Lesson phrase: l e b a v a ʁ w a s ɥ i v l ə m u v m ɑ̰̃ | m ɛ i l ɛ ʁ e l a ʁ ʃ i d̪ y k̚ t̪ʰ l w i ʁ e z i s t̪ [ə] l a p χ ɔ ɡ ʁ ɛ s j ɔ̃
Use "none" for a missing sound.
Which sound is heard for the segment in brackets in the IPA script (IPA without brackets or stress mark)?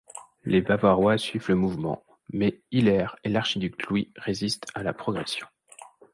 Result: a